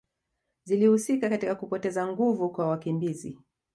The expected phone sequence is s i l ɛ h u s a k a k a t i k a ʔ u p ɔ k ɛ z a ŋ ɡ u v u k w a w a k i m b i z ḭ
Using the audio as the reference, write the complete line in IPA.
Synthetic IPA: z i l i h u s i k a k a t i k a k u p ɔ t ɛ z a ŋ ɡ u v u k w a w a k i m b i z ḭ